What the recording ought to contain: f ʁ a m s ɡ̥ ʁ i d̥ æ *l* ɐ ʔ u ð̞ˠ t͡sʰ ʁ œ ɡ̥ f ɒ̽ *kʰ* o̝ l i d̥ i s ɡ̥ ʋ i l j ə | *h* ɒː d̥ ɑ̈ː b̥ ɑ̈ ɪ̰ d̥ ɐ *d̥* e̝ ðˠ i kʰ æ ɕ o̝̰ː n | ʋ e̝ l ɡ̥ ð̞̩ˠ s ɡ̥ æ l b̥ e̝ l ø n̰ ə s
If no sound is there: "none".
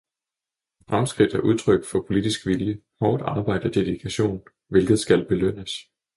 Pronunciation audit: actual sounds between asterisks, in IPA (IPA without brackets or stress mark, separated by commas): none, pʰ, h, d̥